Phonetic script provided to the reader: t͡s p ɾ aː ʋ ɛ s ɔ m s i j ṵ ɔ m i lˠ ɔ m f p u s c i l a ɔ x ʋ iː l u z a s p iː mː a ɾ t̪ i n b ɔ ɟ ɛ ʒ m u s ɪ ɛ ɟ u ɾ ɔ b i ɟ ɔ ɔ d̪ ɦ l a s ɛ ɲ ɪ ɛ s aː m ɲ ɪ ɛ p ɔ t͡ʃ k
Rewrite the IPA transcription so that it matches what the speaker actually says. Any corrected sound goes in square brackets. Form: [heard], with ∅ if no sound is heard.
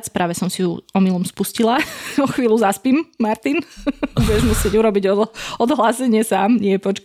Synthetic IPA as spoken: t͡s p ɾ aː ʋ ɛ s ɔ m s i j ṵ ɔ m i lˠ ɔ m [s] p u s c i l a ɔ x ʋ iː l u z a s p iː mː a ɾ t̪ i n b [u] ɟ ɛ ʒ m u s ɪ ɛ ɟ u ɾ ɔ b i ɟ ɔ ɔ d̪ ɦ l a s ɛ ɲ ɪ ɛ s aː m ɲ ɪ ɛ p ɔ t͡ʃ k